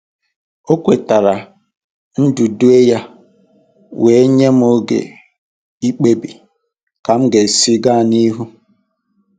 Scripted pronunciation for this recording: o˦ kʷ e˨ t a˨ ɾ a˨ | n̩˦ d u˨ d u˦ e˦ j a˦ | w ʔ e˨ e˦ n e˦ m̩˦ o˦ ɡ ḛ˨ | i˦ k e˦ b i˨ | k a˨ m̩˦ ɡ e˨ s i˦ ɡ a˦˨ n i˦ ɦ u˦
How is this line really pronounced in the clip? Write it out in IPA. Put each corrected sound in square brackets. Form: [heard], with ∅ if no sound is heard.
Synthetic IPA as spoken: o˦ kʷ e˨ t a˨ ɾ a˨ | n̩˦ d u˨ d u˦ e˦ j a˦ | w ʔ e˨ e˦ [ɲ] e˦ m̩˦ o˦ ɡ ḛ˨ | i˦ [k͡p] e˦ b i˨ | k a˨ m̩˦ ɡ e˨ s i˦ ɡ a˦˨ n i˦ ɦ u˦